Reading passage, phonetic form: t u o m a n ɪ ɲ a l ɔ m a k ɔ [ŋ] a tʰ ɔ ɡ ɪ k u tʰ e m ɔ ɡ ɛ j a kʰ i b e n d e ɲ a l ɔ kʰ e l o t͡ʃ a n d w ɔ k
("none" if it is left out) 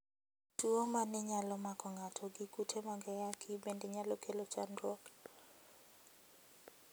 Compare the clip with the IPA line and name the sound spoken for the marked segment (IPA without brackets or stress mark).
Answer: ŋ